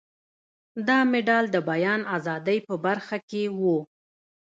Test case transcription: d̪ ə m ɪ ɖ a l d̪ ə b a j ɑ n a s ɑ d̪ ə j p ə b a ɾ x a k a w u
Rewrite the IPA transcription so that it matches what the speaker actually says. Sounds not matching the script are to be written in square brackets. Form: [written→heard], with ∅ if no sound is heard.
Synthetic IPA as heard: d̪ [ə→ɑ] m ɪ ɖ [a→ɑ] l d̪ ə b a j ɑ n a [s→z] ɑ d̪ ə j p ə b a ɾ x a k [a→e] w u